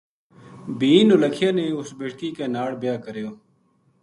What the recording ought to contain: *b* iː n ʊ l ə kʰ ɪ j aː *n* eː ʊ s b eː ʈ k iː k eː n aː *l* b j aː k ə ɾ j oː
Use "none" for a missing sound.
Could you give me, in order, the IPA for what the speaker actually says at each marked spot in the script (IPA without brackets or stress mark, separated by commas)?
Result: b, n, ɽ